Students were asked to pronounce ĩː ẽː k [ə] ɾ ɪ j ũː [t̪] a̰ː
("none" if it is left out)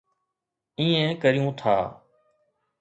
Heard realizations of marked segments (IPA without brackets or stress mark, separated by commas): ə, t̪ʰ